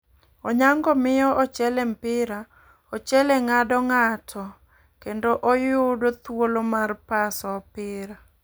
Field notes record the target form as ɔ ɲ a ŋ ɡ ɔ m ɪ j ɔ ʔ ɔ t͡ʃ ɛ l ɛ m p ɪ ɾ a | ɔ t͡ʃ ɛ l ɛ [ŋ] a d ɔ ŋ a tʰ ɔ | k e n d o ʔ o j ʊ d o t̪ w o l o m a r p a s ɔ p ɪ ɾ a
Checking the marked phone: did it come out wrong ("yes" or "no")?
no